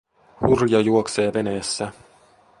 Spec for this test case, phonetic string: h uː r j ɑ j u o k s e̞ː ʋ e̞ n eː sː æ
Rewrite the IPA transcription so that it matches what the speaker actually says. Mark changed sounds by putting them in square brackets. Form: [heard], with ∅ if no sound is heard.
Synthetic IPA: h [u] r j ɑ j u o k s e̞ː ʋ e̞ n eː sː æ